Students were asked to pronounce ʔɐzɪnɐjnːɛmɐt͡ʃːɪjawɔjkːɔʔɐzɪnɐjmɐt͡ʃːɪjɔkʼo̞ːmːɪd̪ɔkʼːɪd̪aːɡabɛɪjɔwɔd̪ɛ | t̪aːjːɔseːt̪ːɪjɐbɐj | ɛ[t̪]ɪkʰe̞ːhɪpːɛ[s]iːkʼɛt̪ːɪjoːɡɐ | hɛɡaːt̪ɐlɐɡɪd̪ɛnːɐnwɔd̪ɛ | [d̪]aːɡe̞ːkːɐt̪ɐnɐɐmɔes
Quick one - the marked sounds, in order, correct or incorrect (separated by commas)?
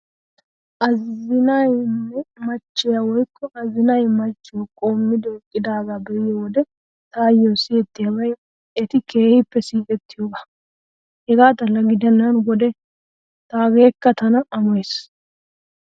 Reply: correct, correct, incorrect